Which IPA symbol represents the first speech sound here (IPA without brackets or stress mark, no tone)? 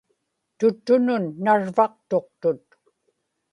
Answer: t̪